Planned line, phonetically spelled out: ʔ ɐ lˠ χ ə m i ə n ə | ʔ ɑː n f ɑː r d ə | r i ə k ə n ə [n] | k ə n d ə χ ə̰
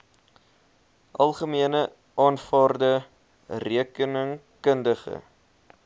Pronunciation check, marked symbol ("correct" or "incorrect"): incorrect